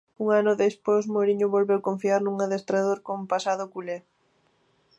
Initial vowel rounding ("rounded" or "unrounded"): rounded